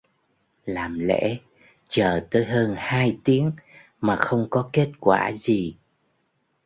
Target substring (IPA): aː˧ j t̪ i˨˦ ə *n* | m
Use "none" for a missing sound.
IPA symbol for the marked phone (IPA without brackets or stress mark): ŋ